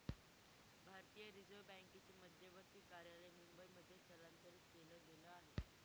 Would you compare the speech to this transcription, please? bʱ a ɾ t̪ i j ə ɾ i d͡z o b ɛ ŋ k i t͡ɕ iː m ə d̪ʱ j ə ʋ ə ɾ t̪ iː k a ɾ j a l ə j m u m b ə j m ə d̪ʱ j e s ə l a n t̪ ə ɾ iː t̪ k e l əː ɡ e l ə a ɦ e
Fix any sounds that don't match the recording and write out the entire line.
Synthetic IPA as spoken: bʱ a ɾ t̪ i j ə ɾ i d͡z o b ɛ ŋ k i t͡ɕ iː m ə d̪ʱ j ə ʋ ə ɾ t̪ iː k a ɾ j a l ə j m u m b ə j m ə d̪ʱ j e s ə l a n t̪ ə ɾ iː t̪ k e l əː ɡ e l ə a ɦ e